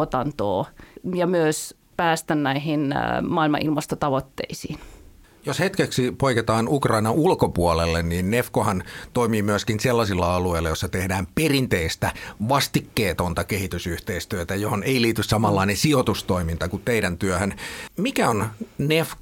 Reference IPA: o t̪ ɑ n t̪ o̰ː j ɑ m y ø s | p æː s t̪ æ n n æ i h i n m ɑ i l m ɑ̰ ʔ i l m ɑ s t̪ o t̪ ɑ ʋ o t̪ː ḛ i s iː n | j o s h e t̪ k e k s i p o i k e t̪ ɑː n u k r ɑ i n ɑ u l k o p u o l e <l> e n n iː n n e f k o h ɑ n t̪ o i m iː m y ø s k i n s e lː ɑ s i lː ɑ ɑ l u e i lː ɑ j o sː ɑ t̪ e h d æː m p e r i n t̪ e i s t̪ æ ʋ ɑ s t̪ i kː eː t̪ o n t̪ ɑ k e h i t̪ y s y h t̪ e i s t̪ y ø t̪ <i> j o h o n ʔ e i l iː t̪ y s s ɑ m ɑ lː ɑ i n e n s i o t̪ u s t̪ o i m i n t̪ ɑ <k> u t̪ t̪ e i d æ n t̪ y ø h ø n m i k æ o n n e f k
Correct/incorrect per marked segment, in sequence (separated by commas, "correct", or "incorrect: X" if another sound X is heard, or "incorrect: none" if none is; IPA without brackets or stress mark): incorrect: lː, incorrect: æ, correct